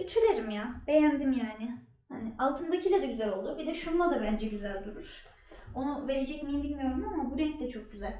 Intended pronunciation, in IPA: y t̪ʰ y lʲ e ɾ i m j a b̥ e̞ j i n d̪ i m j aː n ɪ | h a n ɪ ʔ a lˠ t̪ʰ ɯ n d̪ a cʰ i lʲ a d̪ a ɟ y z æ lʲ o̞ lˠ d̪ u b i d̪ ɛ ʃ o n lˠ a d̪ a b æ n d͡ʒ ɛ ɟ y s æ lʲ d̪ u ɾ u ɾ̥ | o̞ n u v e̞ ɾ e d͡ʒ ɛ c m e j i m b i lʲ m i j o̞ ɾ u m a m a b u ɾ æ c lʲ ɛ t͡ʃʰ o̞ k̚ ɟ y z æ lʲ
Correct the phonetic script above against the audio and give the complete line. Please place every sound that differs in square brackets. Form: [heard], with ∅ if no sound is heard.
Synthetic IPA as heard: y t̪ʰ y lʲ e ɾ i m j a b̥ e̞ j [æ] n d̪ i m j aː n ɪ | h a n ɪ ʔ a lˠ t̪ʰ ɯ n d̪ a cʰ i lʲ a d̪ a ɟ y z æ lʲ o̞ lˠ d̪ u b i d̪ ɛ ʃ [u] n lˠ a d̪ a b æ n d͡ʒ ɛ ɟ y [z] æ lʲ d̪ u ɾ u ɾ̥ | o̞ n u v e̞ ɾ e d͡ʒ ɛ c m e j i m b i lʲ m i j o̞ ɾ u m a m a b u ɾ [ɛ] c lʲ ɛ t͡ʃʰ o̞ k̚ ɟ y z æ lʲ

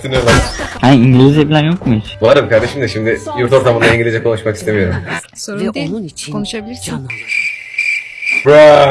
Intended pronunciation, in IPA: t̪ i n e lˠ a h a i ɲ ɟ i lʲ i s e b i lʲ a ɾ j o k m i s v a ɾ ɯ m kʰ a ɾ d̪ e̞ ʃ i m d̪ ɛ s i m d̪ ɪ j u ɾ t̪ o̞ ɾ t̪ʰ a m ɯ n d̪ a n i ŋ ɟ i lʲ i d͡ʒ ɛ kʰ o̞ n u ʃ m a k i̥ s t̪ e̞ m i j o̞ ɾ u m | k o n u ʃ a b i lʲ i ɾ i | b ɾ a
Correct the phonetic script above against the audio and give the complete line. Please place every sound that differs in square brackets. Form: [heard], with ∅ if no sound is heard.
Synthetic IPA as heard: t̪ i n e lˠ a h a i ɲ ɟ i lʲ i [z] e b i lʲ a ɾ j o k m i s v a ɾ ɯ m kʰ a ɾ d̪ e̞ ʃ i m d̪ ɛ [ʃ] i m d̪ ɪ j u ɾ t̪ o̞ ɾ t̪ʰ a m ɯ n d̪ a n i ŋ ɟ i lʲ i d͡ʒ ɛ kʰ o̞ n u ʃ m a k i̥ s t̪ e̞ m i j o̞ ɾ u m | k o n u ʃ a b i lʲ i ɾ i | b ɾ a

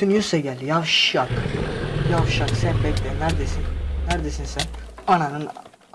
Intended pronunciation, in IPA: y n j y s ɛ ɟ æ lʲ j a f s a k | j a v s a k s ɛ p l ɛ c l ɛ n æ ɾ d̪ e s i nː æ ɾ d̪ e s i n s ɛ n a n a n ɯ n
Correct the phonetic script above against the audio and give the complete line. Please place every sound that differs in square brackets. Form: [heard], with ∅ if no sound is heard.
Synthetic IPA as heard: y n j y s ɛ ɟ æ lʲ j a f [ʃ] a k | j a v [ʃ] a k s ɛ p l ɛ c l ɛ n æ ɾ d̪ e s i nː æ ɾ d̪ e s i n s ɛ n a n a n ɯ n

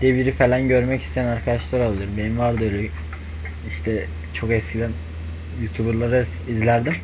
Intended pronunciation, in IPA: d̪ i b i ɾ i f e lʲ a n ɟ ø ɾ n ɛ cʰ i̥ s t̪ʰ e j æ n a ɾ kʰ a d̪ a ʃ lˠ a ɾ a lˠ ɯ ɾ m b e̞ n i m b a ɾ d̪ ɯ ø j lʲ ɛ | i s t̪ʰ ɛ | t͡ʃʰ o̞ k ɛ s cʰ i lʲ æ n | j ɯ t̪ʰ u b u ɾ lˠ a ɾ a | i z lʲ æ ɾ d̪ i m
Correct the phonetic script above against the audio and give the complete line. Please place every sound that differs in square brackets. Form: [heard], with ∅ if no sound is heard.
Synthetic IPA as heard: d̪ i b i ɾ i f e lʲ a n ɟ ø ɾ [m] ɛ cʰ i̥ s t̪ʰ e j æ n a ɾ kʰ a d̪ a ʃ lˠ a ɾ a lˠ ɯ ɾ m b e̞ n i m [v] a ɾ d̪ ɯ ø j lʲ ɛ | i [ʃ] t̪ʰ ɛ | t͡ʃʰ o̞ k ɛ s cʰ i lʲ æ n | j [u] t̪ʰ u b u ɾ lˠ a ɾ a | i z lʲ æ ɾ d̪ i m

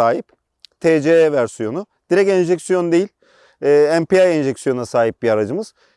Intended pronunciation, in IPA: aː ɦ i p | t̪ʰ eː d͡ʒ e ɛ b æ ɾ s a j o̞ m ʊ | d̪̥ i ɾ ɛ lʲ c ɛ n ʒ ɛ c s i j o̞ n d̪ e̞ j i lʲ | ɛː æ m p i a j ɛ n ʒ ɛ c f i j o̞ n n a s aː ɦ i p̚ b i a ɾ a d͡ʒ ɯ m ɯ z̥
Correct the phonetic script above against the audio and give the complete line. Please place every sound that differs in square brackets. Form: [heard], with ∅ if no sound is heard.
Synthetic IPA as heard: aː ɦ i p | t̪ʰ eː d͡ʒ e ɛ [v] æ ɾ s [i] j o̞ [n] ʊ | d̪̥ i ɾ ɛ [∅] c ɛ n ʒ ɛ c s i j o̞ n d̪ e̞ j i lʲ | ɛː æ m p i a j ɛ n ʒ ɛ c [s] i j o̞ n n a s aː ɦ i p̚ b i a ɾ a d͡ʒ ɯ m ɯ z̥

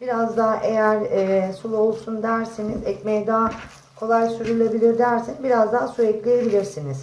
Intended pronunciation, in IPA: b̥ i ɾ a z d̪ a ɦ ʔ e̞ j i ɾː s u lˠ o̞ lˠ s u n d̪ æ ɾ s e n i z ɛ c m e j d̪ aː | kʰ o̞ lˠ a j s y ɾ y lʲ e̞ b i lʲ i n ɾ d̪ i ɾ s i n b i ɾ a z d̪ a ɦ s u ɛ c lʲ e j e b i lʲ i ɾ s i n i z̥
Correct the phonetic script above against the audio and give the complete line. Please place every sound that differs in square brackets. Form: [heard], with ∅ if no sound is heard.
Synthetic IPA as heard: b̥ i ɾ a z d̪ a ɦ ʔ e̞ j [æ] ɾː s u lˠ o̞ lˠ s u n d̪ æ ɾ s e n i z ɛ c m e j d̪ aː | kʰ o̞ lˠ a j s y ɾ y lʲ e̞ b i lʲ i [∅] ɾ d̪ [æ] ɾ s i n b i ɾ a z d̪ a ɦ s u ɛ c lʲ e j e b i lʲ i ɾ s i n i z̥

